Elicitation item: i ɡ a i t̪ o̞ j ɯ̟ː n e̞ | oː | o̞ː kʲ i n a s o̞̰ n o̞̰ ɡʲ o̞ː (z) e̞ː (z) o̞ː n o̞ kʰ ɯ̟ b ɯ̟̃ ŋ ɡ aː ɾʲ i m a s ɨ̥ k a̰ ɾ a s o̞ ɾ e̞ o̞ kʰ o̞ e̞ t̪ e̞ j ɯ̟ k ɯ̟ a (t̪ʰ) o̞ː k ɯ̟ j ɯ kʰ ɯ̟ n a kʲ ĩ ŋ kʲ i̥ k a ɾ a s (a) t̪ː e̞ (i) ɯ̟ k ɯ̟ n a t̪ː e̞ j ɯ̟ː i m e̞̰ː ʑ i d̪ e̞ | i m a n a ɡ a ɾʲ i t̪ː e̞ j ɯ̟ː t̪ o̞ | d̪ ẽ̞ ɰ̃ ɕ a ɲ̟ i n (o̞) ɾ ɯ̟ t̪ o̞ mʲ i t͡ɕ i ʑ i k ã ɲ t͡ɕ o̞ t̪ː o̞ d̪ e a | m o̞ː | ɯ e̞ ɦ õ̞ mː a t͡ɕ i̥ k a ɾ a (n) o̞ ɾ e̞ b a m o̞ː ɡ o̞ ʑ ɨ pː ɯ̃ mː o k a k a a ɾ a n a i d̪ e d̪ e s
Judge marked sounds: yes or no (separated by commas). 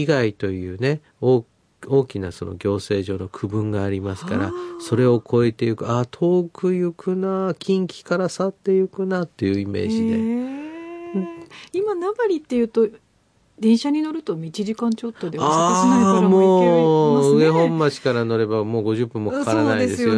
no, no, yes, yes, no, yes, yes